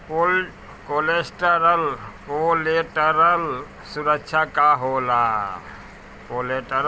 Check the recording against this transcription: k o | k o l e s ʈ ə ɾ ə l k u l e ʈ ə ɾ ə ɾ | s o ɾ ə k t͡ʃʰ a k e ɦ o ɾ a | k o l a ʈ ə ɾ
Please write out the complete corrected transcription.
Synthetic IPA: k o | k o l e s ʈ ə ɾ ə l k o l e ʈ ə ɾ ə l | s u ɾ ə k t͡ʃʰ a k a ɦ o l a | k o l e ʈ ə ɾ